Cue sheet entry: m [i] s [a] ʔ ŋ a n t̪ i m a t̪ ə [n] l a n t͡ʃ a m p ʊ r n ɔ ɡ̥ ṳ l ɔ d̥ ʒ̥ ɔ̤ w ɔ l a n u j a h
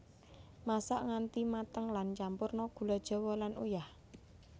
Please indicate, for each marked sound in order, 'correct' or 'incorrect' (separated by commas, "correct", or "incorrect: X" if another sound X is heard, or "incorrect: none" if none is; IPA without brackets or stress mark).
incorrect: a, correct, incorrect: ŋ